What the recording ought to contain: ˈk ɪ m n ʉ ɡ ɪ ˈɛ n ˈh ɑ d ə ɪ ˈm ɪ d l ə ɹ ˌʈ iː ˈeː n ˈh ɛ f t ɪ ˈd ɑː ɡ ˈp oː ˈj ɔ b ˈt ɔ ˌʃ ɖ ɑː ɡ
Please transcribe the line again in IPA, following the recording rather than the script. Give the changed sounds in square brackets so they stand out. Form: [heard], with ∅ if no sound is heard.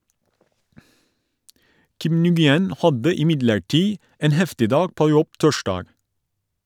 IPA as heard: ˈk ɪ m n ʉ ɡ ɪ ˈɛ n ˈh ɑ d ə ɪ ˈm ɪ d l ə ɹ ˌʈ iː ˈeː n ˈh ɛ f t ɪ ˈd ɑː ɡ ˈp oː ˈj ɔ b ˈt ɔ ˌʃ ɖ ɑː ɡ